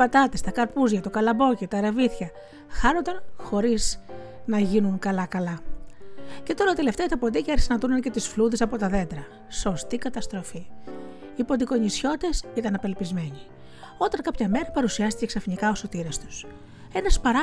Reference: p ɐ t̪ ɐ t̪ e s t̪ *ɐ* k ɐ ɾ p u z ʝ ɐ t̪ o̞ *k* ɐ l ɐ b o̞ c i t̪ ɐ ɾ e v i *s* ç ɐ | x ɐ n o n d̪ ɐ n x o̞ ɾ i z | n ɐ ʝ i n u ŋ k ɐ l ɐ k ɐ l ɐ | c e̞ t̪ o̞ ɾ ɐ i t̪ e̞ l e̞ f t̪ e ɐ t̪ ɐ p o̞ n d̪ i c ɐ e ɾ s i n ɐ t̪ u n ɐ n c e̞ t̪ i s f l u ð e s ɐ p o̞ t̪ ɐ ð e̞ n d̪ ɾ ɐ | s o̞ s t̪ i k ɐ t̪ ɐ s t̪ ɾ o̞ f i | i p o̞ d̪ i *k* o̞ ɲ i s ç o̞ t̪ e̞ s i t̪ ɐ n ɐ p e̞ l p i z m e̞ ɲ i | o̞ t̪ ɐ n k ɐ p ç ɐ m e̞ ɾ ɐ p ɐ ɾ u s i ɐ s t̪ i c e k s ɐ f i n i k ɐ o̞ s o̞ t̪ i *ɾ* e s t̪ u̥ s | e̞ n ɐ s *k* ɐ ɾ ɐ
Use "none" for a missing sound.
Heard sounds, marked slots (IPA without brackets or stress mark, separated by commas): ɐ, k, θ, k, ɾ, p